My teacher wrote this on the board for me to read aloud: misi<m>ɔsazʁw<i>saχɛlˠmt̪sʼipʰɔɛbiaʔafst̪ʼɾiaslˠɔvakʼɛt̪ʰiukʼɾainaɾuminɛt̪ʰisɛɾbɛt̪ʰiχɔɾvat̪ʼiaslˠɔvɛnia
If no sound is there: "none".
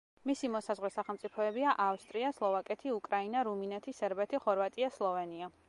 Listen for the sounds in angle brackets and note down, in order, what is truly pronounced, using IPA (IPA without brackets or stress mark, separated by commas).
m, ɛ